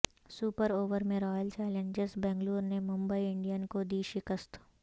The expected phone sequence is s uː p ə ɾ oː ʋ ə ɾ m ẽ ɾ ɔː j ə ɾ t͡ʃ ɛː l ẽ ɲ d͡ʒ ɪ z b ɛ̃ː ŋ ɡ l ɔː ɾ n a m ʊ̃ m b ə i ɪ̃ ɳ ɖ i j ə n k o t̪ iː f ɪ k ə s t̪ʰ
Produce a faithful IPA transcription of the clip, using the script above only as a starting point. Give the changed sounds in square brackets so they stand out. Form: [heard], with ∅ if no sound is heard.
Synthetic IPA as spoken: s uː p ə ɾ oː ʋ ə ɾ m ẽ ɾ ɔː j ə [l] t͡ʃ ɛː l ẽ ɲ d͡ʒ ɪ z b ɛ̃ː ŋ ɡ l [uː] ɾ n [e] m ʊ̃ m b ə i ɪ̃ ɳ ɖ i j ə n k o [d̪] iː [ʃ] ɪ k ə s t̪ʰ